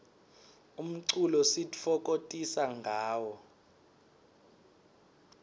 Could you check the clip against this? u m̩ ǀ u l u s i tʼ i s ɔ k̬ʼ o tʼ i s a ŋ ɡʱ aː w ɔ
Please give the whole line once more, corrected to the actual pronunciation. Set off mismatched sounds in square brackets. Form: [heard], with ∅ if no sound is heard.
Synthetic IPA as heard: u m̩ ǀ u l [ɔ] s i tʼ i [f] ɔ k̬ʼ o tʼ i s a ŋ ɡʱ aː w ɔ